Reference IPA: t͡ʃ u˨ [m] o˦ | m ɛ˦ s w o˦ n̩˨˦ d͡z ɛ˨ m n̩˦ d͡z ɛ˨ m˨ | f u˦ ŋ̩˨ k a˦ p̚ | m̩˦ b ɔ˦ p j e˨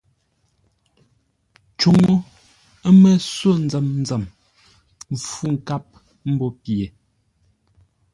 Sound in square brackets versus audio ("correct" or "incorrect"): incorrect